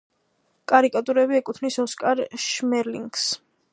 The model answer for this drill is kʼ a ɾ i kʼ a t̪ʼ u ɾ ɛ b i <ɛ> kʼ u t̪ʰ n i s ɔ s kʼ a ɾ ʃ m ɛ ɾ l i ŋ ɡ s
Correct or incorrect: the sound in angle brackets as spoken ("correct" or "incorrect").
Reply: correct